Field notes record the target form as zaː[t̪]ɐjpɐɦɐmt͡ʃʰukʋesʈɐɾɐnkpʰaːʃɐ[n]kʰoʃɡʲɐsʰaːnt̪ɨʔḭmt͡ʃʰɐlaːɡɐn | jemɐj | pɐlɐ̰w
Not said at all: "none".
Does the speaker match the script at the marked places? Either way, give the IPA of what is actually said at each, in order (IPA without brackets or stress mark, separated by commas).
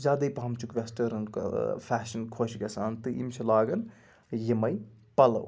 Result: d̪, n